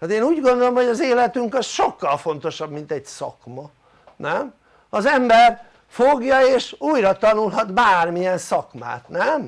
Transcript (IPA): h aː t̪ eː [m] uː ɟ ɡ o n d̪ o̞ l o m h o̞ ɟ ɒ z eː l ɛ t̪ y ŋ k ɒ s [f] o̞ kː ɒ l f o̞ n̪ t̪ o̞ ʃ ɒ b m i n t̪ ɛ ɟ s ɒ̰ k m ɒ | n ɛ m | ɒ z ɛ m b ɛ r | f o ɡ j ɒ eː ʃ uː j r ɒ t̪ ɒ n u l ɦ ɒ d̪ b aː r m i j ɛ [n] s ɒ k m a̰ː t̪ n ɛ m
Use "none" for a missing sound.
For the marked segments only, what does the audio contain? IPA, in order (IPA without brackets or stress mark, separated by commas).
n, ʃ, n